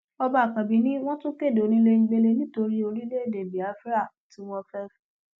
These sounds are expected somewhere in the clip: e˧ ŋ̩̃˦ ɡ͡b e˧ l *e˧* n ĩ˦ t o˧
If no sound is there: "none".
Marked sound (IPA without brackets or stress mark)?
e˧